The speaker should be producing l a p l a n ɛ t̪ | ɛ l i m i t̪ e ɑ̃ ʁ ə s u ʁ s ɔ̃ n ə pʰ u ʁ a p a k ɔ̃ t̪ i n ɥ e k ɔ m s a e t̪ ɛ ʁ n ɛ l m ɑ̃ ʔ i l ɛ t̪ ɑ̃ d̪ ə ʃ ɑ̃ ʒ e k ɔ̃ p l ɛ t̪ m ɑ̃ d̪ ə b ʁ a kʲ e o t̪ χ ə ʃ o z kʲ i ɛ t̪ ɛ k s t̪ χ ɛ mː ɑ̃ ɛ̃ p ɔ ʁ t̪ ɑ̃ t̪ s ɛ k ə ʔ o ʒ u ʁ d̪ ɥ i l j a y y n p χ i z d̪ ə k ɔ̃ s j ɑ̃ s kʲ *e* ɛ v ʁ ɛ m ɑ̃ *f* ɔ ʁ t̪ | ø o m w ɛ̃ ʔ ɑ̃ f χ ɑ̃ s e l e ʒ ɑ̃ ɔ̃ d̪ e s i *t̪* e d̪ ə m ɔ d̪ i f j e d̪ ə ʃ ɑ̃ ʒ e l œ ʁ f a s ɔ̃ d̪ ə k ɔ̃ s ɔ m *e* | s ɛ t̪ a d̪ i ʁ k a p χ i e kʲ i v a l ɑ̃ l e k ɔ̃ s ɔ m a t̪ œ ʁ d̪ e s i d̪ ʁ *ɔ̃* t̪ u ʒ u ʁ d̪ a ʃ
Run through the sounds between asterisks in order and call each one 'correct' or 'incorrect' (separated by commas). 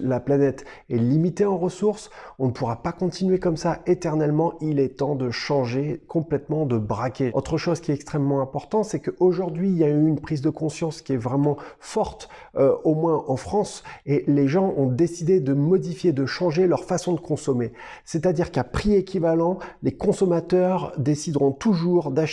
incorrect, correct, incorrect, correct, correct